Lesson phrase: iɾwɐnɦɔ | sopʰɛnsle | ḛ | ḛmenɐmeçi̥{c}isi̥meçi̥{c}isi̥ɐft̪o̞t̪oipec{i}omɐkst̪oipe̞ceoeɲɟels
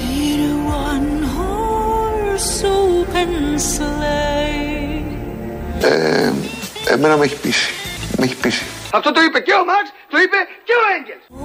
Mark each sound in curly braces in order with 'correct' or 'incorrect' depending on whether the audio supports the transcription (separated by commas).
incorrect, incorrect, incorrect